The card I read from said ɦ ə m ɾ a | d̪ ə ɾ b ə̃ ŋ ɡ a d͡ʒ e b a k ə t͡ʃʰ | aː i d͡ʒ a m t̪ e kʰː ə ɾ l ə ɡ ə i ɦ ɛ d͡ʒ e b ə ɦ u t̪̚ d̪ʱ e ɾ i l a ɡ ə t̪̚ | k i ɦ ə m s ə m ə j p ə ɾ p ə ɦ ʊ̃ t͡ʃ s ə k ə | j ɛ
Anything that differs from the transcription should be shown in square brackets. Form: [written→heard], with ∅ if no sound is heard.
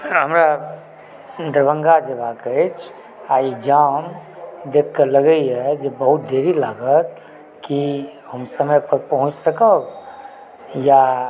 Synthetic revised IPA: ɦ ə m ɾ a | d̪ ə ɾ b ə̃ ŋ ɡ a d͡ʒ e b a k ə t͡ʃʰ | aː i d͡ʒ a m [t̪→d̪] e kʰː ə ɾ l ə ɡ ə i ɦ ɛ d͡ʒ e b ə ɦ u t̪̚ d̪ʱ e ɾ i l a ɡ ə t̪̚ | k i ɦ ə m s ə m ə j p ə ɾ p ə ɦ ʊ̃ t͡ʃ s ə k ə | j [ɛ→a]